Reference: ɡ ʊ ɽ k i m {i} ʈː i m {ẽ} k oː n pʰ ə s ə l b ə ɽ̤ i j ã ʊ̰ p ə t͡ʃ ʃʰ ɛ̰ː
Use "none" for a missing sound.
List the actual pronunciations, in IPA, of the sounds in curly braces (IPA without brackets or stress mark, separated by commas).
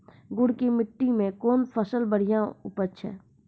ɪ, ẽ